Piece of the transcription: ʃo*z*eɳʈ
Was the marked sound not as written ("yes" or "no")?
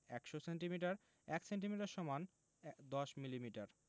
yes